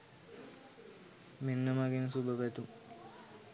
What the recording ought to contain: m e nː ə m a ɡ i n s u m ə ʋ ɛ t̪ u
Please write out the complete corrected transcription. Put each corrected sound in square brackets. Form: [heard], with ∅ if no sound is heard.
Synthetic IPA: m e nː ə m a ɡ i n s u [b] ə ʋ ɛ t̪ u